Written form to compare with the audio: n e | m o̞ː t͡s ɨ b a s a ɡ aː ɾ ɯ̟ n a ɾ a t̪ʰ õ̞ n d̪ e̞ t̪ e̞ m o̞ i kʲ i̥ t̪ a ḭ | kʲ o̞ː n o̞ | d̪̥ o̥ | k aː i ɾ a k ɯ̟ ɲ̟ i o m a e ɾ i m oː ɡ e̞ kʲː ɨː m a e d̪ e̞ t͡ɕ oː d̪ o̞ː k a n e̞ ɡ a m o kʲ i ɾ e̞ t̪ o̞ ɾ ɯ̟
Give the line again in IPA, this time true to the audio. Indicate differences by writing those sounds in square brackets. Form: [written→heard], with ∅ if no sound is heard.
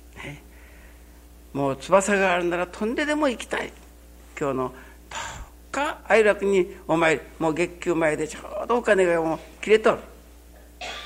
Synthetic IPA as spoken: n e | m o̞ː t͡s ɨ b a s a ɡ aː ɾ ɯ̟ n a ɾ a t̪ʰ õ̞ n d̪ e̞ [t̪→d̪] e̞ m o̞ i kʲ i̥ t̪ a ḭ | kʲ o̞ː n o̞ | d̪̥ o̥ | k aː i ɾ a k ɯ̟ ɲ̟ i o m a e ɾ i m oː ɡ e̞ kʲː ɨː m a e d̪ e̞ t͡ɕ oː d̪ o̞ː k a n e̞ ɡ a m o kʲ i ɾ e̞ t̪ o̞ ɾ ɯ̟